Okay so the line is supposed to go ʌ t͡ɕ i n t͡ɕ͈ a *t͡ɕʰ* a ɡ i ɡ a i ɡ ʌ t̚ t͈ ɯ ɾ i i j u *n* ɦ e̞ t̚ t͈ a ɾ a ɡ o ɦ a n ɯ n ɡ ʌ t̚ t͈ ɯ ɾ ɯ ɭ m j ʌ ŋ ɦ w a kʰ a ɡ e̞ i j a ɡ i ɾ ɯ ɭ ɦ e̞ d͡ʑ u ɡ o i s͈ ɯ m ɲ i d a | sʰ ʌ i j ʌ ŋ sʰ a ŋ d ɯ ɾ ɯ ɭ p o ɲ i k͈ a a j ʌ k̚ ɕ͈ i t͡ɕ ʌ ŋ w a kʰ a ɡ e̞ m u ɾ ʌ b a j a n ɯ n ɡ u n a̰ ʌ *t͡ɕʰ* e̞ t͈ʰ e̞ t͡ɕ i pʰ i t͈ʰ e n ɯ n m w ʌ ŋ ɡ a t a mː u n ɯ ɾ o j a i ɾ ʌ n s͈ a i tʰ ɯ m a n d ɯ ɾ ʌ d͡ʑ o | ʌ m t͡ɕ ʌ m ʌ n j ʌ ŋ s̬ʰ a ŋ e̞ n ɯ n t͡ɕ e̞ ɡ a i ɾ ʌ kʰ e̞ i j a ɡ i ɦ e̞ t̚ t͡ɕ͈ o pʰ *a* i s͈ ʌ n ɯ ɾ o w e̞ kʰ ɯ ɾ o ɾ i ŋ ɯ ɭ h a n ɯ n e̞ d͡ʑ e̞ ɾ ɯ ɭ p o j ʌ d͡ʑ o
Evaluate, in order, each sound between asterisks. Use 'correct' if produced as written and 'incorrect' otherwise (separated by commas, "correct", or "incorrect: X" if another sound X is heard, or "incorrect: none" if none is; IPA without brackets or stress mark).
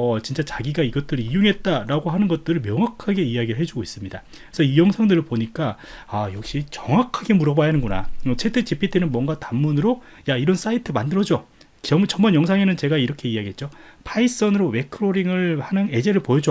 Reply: incorrect: t͡ɕ, incorrect: ŋ, correct, correct